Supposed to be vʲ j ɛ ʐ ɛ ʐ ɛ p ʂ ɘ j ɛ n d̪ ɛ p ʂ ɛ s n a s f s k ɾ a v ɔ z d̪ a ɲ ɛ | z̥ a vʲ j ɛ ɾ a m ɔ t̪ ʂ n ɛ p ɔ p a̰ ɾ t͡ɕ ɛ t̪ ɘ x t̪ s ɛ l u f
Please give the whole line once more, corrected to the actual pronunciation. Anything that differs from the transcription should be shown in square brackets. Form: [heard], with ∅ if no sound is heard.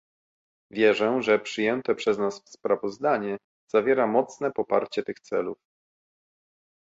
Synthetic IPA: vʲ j ɛ ʐ ɛ ʐ ɛ p ʂ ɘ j ɛ n [t̪] ɛ p ʂ ɛ [z] n a s f s [p] ɾ a v ɔ z d̪ a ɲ ɛ | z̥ a vʲ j ɛ ɾ a m ɔ t̪ [s] n ɛ p ɔ p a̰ ɾ t͡ɕ ɛ t̪ ɘ x t̪ s ɛ l u f